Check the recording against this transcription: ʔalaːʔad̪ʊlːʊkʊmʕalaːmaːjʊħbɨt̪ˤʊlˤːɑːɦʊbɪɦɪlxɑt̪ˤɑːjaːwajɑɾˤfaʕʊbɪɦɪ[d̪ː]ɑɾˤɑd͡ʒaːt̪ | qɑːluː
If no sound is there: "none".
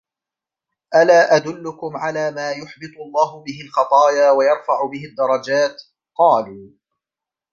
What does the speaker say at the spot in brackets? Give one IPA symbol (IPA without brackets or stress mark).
d̪ː